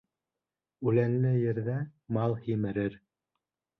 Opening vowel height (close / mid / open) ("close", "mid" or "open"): close